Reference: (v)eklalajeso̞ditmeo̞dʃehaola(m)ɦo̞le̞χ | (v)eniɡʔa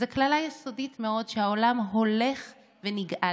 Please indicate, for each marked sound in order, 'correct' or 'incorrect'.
incorrect: z, correct, correct

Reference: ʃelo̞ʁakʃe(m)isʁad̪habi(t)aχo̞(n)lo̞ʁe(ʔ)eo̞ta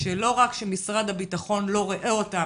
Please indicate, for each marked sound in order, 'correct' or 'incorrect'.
correct, correct, correct, correct

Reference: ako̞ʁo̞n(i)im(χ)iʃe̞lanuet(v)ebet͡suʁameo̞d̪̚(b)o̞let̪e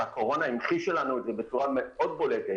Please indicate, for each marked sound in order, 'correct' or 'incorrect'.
incorrect: a, correct, incorrect: z, correct

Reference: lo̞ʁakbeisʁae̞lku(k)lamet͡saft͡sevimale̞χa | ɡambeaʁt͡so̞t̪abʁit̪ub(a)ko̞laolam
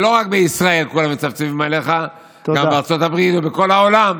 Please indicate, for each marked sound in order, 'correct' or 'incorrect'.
incorrect: none, incorrect: e

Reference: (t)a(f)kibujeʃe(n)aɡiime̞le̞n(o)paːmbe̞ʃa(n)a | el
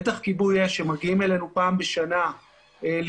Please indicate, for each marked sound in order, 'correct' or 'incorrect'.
correct, incorrect: χ, incorrect: m, incorrect: u, correct

